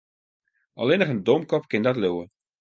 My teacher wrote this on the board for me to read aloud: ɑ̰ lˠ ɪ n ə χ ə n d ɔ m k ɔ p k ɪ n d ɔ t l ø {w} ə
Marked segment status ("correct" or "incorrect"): correct